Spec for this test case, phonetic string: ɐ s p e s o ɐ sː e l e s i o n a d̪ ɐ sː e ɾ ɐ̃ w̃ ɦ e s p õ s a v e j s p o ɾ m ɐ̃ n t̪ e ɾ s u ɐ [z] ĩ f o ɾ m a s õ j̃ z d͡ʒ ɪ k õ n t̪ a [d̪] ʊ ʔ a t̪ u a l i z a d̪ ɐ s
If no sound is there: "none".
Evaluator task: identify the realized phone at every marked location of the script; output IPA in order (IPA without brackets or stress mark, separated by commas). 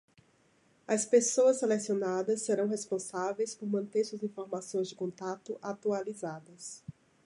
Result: z, t̪